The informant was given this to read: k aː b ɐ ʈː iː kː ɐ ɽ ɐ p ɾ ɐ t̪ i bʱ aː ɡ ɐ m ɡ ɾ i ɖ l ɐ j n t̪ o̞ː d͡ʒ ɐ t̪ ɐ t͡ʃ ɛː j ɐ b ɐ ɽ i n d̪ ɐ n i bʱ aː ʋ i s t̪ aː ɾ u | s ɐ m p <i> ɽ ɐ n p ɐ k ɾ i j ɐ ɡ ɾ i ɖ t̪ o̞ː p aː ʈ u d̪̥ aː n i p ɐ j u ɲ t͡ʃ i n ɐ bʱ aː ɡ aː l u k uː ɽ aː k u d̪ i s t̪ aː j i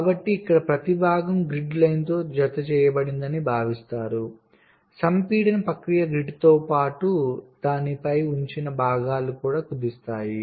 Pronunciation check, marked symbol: incorrect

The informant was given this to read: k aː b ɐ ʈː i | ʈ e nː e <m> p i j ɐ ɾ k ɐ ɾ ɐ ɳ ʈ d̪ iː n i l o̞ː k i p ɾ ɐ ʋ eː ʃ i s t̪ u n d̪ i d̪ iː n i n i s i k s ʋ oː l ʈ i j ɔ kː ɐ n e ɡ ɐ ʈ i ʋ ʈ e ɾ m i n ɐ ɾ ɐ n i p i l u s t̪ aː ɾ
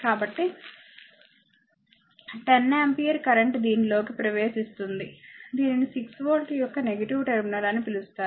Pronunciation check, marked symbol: correct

